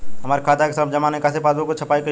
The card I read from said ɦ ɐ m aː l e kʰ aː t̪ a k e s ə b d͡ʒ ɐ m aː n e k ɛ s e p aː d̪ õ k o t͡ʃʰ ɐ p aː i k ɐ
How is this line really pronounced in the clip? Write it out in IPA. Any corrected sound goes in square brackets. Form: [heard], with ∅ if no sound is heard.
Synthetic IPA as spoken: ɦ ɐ m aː [ɾ] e kʰ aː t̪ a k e s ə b d͡ʒ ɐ m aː n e k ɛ s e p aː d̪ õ k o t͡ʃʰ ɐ p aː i k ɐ